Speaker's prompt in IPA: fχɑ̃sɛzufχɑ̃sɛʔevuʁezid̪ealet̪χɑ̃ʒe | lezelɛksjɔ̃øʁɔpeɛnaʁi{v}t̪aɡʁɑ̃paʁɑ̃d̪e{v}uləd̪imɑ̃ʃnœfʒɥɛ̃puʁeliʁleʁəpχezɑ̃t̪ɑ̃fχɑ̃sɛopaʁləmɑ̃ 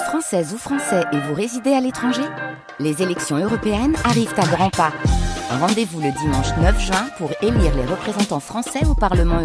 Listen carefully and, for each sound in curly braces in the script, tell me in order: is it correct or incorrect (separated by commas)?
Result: correct, correct